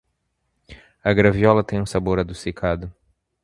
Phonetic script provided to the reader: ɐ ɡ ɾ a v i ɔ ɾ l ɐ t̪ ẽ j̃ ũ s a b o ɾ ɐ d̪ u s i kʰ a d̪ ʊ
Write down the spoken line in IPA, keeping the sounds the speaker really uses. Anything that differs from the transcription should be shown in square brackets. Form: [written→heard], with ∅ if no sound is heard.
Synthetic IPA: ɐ ɡ ɾ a v i ɔ [ɾ→∅] l ɐ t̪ ẽ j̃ ũ s a b o ɾ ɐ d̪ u s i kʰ a d̪ ʊ